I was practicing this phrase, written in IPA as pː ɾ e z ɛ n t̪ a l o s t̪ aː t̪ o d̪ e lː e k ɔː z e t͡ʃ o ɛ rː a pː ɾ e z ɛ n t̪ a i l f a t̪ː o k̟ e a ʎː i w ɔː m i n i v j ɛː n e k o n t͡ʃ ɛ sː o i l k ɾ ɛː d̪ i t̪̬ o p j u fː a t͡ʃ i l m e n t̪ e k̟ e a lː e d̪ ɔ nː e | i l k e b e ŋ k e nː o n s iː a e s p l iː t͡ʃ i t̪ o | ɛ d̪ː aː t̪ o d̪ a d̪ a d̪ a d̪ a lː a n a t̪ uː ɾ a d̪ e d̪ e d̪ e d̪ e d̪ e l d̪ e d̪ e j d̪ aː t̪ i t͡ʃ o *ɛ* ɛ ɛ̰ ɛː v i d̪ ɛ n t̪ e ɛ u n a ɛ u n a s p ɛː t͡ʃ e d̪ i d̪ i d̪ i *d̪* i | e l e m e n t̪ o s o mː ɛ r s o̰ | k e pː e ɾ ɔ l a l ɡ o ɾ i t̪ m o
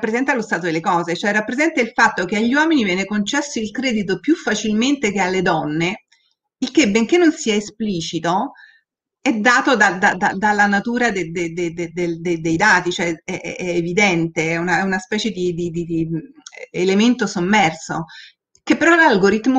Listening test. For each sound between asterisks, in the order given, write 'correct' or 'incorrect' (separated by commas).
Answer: correct, correct